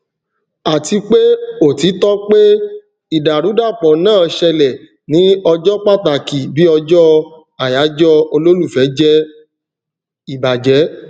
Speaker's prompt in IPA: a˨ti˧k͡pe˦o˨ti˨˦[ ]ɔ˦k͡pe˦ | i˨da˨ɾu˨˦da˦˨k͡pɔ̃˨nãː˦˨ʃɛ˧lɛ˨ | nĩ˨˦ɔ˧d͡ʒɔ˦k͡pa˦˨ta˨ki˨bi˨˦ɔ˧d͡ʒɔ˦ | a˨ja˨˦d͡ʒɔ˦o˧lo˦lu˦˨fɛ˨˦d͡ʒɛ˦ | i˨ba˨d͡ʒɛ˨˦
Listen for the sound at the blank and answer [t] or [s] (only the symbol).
t